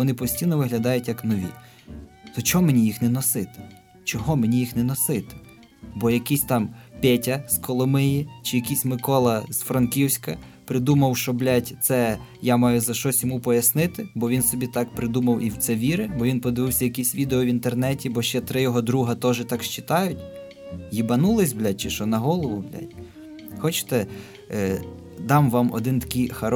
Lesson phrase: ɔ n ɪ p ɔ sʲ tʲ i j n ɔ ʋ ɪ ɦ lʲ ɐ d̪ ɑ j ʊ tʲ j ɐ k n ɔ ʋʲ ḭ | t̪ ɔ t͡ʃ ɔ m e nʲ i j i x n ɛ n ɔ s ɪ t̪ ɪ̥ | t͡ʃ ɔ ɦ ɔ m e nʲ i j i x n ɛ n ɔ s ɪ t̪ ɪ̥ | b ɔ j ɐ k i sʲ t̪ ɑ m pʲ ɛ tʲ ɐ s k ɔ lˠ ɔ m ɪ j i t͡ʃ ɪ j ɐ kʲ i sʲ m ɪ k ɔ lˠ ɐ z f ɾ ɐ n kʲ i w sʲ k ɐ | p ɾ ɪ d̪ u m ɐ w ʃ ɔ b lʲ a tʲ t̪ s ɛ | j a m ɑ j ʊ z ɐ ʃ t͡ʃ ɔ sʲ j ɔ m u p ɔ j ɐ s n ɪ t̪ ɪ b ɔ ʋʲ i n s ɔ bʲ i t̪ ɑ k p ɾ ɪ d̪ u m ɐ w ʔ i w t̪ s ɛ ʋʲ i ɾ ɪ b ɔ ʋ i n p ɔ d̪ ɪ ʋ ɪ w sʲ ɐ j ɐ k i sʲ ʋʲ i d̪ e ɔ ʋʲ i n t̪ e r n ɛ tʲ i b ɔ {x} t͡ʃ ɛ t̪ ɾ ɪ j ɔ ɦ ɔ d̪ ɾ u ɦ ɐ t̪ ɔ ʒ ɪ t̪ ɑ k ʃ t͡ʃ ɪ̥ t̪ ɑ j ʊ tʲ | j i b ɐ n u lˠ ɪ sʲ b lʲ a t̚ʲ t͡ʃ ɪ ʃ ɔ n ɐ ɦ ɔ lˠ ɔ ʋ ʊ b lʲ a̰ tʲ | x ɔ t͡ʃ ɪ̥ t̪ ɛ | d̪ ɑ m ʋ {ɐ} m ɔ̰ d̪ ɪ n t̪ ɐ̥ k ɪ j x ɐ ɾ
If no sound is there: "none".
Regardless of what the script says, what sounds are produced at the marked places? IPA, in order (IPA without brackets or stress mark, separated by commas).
ʃ, ɑ